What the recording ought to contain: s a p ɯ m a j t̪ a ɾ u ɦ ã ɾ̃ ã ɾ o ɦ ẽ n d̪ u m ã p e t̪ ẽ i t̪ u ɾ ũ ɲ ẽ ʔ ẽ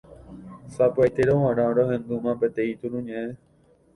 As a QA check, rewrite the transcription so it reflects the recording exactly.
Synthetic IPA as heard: s a p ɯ a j t̪ e ɾ o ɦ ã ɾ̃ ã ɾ o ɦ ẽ n d̪ u m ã p e t̪ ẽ i t̪ u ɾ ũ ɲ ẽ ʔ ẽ